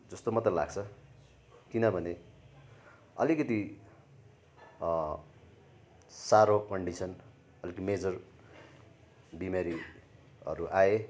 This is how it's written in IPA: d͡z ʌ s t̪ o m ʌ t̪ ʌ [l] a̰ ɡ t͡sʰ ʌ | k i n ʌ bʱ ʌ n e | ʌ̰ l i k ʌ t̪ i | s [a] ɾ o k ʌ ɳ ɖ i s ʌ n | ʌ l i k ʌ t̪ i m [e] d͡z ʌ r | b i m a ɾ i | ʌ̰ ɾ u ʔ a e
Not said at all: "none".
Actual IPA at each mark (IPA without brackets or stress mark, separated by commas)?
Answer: l, a, e